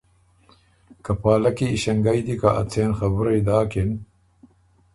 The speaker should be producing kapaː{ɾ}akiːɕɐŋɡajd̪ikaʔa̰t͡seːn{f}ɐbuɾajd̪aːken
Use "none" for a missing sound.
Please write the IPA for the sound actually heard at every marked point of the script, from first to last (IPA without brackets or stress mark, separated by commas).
l, x